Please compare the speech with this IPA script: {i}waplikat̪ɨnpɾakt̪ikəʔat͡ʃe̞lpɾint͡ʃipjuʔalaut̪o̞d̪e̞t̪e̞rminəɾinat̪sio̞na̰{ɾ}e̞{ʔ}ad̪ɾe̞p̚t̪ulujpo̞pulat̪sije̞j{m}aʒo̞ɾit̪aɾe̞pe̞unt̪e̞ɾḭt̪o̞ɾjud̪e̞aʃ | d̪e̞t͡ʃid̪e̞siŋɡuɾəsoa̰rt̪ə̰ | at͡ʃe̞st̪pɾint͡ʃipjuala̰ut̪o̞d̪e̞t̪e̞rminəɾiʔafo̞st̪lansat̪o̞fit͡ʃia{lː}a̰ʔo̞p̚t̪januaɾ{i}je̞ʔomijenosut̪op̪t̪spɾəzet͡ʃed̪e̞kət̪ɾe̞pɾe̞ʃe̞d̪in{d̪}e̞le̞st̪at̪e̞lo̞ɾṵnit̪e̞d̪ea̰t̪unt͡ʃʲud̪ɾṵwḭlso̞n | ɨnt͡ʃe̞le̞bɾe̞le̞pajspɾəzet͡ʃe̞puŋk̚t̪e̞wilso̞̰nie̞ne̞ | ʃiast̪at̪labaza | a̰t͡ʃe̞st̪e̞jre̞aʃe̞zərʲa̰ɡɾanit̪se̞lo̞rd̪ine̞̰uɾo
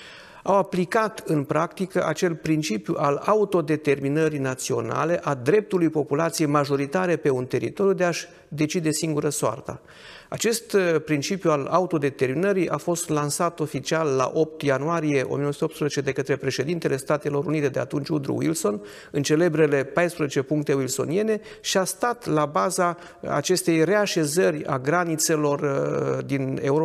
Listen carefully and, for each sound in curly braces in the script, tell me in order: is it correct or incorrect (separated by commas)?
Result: incorrect, incorrect, correct, correct, correct, correct, incorrect